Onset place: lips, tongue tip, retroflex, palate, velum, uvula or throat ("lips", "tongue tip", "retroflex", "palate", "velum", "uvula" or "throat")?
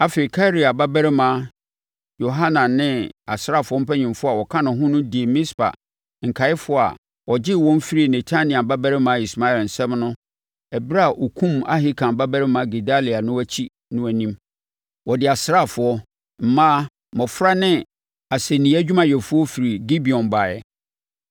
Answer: lips